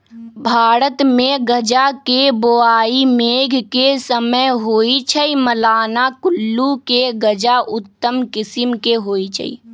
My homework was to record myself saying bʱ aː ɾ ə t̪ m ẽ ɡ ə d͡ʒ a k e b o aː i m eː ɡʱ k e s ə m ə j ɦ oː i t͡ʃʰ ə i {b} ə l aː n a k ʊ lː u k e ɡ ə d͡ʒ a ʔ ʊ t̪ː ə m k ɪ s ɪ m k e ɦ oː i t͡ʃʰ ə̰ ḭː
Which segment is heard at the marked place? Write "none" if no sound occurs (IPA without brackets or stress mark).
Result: m